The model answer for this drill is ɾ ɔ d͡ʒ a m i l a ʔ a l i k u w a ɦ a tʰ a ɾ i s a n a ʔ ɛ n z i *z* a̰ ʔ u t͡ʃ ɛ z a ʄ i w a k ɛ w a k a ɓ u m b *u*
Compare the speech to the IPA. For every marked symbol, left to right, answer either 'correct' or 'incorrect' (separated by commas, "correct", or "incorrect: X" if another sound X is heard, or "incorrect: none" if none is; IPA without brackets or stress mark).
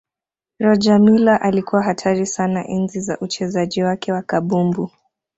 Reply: correct, correct